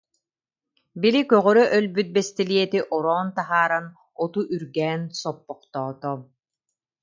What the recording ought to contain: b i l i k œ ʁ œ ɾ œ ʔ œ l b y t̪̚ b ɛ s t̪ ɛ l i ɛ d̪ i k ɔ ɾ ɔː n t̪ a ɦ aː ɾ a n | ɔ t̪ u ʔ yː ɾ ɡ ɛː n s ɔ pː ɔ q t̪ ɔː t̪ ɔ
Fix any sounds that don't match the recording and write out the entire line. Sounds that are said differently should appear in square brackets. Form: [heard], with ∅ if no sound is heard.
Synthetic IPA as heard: b i l i k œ ʁ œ ɾ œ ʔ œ l b y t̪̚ b ɛ s t̪ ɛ l i ɛ [t̪] i [ʔ] ɔ ɾ ɔː n t̪ a ɦ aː ɾ a n | ɔ t̪ u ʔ [y] ɾ ɡ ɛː n s ɔ pː ɔ q t̪ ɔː t̪ ɔ